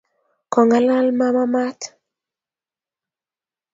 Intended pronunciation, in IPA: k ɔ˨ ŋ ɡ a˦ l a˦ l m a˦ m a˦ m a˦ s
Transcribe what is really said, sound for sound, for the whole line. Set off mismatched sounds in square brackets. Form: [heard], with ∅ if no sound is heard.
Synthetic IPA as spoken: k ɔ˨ ŋ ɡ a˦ l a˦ l m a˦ m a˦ m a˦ [t]